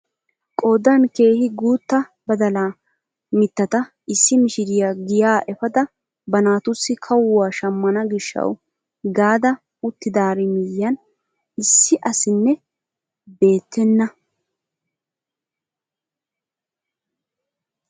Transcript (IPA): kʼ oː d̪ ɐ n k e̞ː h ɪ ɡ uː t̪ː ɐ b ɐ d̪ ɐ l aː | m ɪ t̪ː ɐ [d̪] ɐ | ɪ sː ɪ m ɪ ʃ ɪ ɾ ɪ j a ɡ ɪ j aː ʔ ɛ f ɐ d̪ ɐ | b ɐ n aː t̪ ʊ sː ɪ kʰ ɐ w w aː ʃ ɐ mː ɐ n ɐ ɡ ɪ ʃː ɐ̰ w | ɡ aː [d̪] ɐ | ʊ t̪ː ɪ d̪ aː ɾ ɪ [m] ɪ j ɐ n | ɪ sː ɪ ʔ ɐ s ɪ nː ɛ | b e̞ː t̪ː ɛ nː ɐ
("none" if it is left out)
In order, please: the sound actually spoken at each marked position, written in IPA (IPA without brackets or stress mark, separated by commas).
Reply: t̪, d̪, m